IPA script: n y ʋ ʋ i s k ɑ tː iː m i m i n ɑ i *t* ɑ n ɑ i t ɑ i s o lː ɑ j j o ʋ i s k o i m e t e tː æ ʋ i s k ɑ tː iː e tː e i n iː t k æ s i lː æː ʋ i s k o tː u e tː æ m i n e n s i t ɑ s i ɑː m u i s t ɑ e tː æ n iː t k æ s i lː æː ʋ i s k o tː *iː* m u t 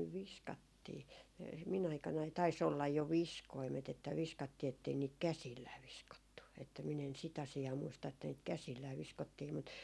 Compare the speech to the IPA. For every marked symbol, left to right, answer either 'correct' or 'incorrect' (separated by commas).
incorrect, correct